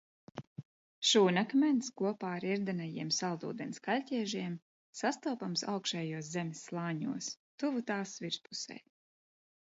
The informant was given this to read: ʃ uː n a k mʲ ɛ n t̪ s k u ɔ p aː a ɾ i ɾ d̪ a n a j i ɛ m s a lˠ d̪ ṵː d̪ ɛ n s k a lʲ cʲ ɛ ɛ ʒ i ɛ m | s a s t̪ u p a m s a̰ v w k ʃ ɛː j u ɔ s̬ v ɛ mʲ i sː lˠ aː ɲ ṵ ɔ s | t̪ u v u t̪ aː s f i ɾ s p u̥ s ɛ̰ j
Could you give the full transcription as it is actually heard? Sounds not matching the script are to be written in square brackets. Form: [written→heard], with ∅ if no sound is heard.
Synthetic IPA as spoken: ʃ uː n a k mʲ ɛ n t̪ s k u ɔ p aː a ɾ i ɾ d̪ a n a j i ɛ m s a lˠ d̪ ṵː d̪ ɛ n s k a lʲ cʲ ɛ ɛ ʒ i ɛ m | s a s t̪ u p a m s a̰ [v→∅] w k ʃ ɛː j u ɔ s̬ [v→z] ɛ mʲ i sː lˠ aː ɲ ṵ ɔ s | t̪ u v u t̪ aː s [f→v] i ɾ s p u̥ s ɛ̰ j